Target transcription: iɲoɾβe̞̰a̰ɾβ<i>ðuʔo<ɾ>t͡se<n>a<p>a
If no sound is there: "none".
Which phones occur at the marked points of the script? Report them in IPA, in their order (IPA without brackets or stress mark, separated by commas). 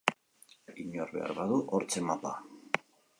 a, ɾ, m, p